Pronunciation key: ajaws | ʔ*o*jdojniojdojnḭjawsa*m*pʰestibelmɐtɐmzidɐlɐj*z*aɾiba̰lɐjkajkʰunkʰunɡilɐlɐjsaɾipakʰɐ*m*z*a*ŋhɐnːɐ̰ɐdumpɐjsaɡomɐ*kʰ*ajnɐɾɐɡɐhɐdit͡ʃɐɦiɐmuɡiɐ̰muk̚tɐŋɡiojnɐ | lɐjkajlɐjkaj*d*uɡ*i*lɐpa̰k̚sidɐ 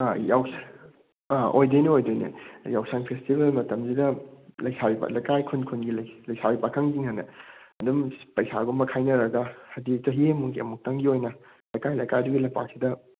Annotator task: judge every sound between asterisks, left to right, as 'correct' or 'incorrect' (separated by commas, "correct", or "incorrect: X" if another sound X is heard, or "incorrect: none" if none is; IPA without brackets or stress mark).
correct, incorrect: ŋ, incorrect: s, incorrect: ŋ, incorrect: i, correct, correct, correct